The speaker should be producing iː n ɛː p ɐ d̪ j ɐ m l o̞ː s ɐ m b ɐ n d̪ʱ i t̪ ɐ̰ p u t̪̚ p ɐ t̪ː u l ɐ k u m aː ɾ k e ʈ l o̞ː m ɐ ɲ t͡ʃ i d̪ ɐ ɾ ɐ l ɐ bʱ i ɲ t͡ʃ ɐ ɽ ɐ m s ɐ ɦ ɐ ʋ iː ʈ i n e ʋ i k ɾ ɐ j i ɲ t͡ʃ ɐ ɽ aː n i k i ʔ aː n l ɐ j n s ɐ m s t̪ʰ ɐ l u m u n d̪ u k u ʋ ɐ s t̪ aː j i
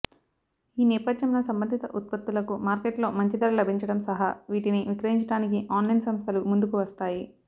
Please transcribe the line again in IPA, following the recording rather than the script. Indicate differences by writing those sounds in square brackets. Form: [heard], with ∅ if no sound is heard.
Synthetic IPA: iː n ɛː p ɐ d̪ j ɐ m l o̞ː s ɐ m b ɐ n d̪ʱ i t̪ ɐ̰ [ʔ] u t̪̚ p ɐ t̪ː u l ɐ k u m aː ɾ k e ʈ l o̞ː m ɐ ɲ t͡ʃ i d̪ ɐ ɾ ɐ l ɐ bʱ i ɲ t͡ʃ ɐ ɽ ɐ m s ɐ ɦ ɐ ʋ iː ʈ i n [i] ʋ i k ɾ ɐ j i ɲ t͡ʃ ɐ ɽ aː n i k i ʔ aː n l ɐ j n s ɐ m s t̪ʰ ɐ l u m u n d̪ u k u ʋ ɐ s t̪ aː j i